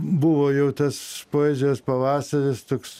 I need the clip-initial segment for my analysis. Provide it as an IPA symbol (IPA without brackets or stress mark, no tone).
b